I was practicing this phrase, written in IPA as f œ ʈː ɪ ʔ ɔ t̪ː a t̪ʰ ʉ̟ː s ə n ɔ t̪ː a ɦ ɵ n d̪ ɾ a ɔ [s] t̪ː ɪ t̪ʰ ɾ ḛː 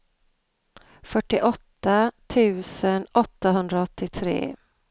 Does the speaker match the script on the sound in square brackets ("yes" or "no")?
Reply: no